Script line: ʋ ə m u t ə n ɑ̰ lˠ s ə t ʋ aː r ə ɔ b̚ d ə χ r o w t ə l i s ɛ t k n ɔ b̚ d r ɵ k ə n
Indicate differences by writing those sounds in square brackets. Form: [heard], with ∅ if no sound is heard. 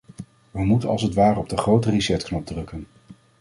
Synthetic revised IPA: ʋ ə m u t ə n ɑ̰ lˠ s ə t ʋ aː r ə ɔ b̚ d ə χ r o w t ə [r] i s ɛ t k n ɔ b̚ d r ɵ k ə n

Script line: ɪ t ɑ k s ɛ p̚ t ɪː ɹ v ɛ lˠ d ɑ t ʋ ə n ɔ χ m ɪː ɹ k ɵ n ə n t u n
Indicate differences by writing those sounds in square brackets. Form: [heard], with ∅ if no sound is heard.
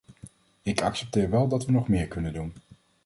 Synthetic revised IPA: ɪ [k] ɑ k s ɛ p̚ t ɪː ɹ [ʋ] ɛ lˠ d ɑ t ʋ ə n ɔ χ m ɪː ɹ k ɵ n ə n [d] u n

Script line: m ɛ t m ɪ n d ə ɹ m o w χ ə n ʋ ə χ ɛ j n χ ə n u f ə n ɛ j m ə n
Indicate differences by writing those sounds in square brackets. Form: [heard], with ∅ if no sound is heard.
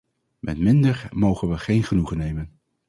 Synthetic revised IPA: m ɛ t m ɪ n d ə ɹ m o w χ ə n ʋ ə χ [e] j n χ ə n u [χ] ə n [e] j m ə n

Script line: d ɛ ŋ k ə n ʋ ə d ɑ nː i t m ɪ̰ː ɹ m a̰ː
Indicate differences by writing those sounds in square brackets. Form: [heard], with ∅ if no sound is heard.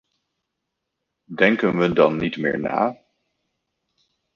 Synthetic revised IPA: d ɛ ŋ k ə n ʋ ə d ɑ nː i t m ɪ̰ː ɹ [n] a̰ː

